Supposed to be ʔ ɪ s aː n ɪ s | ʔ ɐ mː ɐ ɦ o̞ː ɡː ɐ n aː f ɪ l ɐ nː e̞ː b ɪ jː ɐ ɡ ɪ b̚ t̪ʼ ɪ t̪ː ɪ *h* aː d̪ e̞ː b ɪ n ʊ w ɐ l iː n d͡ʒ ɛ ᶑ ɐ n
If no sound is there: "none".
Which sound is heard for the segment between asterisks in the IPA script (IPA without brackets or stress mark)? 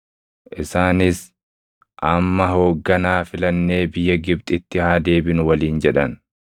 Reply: h